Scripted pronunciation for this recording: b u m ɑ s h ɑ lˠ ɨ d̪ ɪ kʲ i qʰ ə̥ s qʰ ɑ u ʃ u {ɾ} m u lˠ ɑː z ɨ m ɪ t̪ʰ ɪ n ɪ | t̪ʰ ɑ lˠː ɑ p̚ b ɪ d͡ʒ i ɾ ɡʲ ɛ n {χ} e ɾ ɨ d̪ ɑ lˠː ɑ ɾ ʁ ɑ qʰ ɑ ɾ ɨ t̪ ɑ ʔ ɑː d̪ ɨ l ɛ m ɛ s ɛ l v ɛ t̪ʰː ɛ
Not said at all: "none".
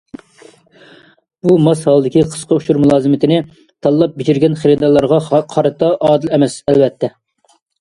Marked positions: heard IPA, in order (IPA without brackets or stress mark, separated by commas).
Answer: ɾ, χ